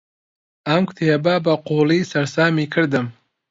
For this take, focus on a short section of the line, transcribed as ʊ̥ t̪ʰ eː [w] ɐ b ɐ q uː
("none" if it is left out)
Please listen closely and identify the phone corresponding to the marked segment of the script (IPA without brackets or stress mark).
b